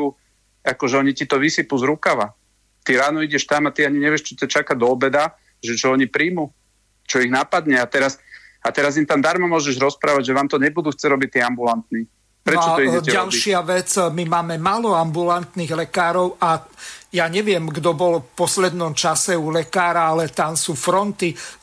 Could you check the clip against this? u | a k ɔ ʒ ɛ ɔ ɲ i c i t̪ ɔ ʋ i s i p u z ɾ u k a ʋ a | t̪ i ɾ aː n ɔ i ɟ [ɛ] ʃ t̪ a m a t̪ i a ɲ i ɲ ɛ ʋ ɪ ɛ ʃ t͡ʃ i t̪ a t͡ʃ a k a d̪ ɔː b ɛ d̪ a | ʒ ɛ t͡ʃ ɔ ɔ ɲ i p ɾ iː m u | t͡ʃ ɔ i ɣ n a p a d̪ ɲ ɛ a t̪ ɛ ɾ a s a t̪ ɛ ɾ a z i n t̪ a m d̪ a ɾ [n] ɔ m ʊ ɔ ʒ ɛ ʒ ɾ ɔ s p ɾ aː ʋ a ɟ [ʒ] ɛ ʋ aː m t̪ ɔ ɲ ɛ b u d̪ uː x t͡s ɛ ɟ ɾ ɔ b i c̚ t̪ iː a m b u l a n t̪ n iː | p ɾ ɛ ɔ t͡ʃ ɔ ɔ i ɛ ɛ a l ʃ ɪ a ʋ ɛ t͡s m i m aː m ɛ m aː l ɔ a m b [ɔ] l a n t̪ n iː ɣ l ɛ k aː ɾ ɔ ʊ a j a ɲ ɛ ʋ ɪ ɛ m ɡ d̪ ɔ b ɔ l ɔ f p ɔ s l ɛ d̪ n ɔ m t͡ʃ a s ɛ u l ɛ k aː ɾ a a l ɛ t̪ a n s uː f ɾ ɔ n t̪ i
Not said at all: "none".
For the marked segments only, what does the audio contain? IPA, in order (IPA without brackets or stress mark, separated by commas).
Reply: ɛ, m, ʒ, u